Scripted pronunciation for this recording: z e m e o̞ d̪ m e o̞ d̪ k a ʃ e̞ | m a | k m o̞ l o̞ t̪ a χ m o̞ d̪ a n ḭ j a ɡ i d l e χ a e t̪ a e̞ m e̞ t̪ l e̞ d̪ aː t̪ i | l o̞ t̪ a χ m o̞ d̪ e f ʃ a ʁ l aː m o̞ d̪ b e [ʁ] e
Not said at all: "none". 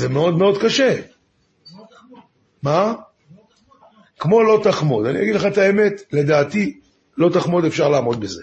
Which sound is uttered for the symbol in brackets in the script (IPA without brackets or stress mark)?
z